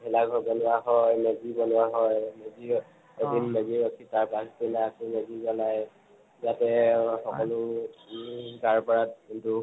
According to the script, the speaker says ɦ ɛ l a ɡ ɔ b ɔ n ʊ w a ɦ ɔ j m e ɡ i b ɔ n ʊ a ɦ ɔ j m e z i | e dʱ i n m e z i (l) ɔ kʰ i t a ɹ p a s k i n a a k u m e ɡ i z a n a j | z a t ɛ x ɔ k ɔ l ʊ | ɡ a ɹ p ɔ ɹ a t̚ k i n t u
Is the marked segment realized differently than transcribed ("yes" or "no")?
yes